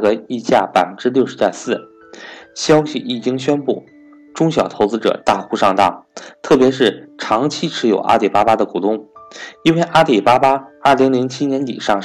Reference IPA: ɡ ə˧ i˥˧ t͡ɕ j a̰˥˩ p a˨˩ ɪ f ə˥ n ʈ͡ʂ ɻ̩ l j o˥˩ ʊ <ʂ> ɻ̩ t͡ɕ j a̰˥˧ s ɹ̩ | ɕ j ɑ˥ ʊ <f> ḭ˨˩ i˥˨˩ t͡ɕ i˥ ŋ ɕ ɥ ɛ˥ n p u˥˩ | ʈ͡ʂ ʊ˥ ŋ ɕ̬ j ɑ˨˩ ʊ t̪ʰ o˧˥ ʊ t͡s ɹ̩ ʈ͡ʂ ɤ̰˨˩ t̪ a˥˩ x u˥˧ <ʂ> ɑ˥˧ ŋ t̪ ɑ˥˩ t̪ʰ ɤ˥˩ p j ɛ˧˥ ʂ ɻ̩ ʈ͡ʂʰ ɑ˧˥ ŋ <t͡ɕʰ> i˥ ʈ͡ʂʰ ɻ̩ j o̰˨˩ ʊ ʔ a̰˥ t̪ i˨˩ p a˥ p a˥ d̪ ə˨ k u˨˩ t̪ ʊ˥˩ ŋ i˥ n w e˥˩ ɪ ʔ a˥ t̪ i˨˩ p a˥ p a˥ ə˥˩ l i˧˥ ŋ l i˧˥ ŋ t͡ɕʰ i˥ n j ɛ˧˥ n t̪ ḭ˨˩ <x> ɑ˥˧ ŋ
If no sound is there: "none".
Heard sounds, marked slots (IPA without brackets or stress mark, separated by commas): ʂ, ɕ, ʂ, t͡ɕʰ, ʂ